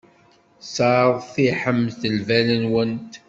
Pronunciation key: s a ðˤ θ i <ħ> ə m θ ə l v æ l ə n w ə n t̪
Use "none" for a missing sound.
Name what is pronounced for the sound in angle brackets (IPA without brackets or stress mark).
ħ